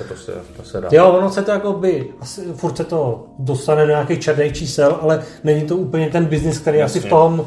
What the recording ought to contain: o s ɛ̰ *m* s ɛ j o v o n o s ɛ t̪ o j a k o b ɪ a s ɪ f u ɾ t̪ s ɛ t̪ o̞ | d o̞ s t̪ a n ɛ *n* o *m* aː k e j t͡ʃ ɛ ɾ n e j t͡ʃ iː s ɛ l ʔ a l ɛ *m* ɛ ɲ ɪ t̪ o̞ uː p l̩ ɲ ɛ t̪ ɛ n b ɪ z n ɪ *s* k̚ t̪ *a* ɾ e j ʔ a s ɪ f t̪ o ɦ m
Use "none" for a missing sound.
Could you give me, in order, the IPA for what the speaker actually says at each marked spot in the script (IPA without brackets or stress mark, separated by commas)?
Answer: none, d, ɲ, n, s, ɛ